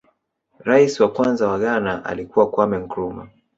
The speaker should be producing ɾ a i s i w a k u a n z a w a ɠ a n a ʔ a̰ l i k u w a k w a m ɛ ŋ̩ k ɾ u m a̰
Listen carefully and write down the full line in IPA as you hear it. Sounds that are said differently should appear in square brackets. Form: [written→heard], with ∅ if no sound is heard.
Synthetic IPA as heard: ɾ a i s i w a k [u→w] a n z a w a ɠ a n a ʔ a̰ l i k u w a k w a m ɛ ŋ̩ k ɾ u m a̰